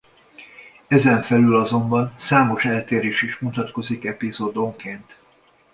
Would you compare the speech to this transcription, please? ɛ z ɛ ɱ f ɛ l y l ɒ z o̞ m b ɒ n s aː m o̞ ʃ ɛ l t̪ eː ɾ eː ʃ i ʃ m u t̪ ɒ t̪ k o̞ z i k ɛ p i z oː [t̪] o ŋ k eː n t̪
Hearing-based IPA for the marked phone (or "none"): d̪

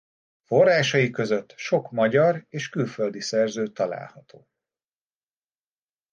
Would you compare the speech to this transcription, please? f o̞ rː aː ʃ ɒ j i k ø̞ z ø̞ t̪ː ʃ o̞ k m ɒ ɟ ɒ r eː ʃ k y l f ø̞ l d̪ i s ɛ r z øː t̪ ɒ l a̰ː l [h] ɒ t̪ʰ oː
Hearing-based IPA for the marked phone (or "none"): h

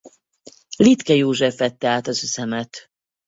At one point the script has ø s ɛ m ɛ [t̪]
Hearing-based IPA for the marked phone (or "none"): t̪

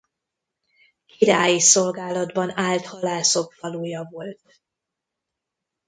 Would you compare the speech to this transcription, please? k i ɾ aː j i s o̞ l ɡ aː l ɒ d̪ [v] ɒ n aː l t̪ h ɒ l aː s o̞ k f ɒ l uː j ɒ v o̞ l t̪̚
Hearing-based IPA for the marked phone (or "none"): b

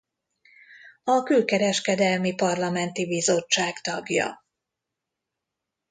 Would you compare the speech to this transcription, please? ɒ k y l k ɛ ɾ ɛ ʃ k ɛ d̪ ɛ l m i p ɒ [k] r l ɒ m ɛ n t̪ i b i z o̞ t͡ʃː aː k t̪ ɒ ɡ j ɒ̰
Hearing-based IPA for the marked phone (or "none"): none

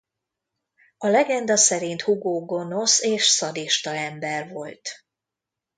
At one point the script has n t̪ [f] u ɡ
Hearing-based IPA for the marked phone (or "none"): h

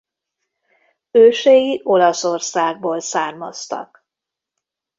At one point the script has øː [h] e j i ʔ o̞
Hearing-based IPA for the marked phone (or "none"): ʃ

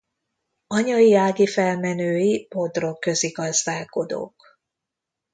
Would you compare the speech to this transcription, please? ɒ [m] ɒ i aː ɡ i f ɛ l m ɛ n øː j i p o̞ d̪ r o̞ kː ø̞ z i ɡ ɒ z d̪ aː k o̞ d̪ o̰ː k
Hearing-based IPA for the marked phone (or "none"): ɲ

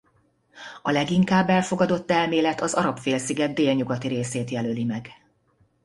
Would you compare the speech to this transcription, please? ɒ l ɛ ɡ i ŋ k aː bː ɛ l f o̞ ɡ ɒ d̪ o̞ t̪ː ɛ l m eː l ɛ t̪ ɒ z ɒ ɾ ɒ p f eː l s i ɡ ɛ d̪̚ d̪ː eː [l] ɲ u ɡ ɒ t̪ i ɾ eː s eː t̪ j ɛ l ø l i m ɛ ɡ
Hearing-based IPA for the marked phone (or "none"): l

